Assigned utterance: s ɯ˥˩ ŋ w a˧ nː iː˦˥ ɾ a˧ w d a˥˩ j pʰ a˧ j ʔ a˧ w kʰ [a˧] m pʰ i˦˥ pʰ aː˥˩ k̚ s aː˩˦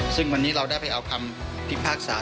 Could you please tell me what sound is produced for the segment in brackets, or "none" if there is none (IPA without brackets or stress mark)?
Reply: a˧